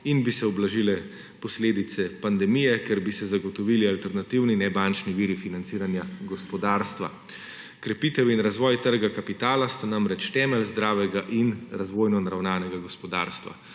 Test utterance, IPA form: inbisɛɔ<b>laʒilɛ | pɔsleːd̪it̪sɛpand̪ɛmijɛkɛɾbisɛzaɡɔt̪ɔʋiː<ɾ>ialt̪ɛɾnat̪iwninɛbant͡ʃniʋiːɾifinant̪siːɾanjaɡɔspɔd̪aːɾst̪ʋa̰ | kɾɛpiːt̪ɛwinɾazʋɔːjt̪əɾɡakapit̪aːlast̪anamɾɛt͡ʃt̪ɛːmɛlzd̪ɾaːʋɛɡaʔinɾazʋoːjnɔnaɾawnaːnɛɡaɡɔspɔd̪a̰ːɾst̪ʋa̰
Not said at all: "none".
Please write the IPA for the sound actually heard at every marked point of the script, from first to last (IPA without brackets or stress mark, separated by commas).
b, l